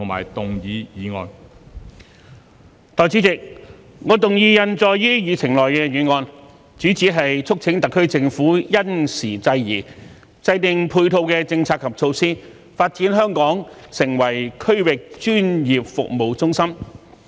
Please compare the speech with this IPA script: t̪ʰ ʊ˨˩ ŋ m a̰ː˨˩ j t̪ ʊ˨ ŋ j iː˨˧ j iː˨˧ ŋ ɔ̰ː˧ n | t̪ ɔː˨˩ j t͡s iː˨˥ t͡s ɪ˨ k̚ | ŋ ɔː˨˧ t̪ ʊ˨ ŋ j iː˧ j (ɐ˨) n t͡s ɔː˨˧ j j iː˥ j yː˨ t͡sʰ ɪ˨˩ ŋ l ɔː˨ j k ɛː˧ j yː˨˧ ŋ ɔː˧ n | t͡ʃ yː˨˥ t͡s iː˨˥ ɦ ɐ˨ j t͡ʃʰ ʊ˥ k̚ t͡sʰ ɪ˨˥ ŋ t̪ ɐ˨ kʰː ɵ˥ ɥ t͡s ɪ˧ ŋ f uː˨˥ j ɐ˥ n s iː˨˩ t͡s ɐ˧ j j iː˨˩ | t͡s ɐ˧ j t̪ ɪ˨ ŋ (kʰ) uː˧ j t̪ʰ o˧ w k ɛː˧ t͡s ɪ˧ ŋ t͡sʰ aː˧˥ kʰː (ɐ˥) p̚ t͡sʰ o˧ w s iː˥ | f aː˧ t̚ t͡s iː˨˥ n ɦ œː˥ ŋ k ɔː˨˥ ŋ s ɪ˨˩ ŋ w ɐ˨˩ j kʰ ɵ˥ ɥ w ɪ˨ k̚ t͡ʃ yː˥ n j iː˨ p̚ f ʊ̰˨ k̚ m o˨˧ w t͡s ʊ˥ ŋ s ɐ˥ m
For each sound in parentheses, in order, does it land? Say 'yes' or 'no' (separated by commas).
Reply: yes, no, no